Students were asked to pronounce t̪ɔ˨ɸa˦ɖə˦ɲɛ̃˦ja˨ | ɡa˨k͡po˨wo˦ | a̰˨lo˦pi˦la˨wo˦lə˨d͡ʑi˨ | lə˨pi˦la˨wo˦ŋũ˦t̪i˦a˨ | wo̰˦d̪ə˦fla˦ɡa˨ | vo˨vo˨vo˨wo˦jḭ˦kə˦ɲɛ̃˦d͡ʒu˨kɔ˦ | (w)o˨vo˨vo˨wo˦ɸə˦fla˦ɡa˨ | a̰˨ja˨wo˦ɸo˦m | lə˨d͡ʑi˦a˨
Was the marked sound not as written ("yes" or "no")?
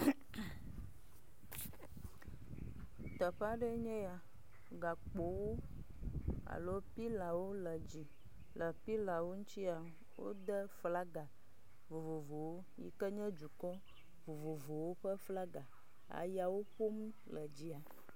yes